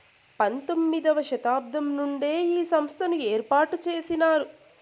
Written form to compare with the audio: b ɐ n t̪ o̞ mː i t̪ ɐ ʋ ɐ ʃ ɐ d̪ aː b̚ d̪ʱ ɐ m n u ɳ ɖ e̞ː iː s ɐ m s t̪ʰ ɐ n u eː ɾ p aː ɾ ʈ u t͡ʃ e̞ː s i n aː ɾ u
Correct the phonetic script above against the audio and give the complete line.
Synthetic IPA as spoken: p ɐ n t̪ o̞ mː i d̪ ɐ ʋ ɐ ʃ ɐ t̪ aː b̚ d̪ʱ ɐ m n u ɳ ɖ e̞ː iː s ɐ m s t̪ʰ ɐ n u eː ɾ p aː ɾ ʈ u t͡ʃ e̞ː s i n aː ɾ u